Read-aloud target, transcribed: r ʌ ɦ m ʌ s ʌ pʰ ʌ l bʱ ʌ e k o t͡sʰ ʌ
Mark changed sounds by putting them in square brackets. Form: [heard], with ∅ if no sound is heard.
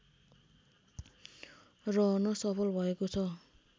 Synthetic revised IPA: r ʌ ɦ [n] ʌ s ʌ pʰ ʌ l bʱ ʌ e k o t͡sʰ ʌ

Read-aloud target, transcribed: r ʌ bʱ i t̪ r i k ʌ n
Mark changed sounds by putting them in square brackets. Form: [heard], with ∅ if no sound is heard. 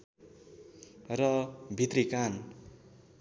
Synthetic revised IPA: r ʌ bʱ i t̪ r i k [a] n

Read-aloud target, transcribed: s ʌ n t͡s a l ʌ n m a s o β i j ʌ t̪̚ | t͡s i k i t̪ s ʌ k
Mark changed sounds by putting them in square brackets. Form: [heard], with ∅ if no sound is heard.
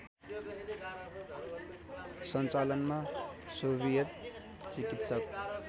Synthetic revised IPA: s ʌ n t͡s a l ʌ n m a s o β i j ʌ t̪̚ | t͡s i k i t̪ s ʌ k

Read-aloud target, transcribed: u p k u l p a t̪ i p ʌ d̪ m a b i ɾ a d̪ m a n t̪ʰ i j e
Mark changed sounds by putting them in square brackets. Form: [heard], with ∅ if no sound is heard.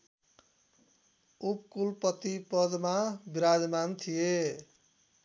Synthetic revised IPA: u p k u l p [ʌ] t̪ i p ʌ d̪ m a b i ɾ a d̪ m a n t̪ʰ i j e

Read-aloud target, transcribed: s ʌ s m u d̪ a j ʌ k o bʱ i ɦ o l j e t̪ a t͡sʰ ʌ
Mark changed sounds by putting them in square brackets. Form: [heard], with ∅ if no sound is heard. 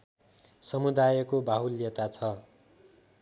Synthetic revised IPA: s ʌ [∅] m u d̪ a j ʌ k o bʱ [a] ɦ [u] l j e t̪ a t͡sʰ ʌ

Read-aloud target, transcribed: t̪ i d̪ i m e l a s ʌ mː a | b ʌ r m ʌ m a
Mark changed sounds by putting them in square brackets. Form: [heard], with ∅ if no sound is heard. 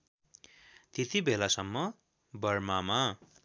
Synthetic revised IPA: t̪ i [t̪] i [b] e l a s ʌ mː [ʌ] | b ʌ r m [a] m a

